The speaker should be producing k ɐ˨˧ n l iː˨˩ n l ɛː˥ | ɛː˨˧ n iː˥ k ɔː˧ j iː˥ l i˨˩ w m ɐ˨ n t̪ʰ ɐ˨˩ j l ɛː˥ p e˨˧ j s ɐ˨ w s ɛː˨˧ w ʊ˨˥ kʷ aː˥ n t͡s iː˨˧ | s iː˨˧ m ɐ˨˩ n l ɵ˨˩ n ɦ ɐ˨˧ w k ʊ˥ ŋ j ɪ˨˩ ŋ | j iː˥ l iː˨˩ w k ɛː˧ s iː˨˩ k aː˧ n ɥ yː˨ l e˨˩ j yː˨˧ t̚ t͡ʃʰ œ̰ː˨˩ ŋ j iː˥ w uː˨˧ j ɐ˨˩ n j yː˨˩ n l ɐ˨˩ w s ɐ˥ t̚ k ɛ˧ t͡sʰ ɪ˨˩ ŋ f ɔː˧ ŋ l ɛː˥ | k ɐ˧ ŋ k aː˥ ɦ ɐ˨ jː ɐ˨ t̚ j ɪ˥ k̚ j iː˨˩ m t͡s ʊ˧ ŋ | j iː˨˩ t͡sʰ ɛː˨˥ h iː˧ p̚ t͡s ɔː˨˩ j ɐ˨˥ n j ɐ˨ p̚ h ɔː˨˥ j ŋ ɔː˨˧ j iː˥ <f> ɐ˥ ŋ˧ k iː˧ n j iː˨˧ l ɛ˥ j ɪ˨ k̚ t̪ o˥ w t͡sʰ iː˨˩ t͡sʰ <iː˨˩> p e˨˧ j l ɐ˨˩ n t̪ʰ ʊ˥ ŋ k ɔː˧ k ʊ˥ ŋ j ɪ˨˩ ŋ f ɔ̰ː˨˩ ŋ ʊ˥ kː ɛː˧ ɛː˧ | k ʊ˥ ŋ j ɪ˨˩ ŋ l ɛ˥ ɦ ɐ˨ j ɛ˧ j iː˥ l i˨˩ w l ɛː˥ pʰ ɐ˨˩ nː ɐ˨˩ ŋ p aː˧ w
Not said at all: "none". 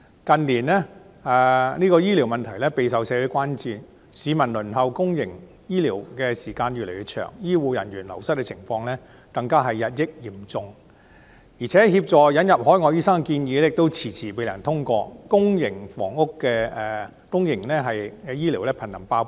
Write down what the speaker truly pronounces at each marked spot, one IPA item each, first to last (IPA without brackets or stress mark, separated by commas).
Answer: s, iː˨˩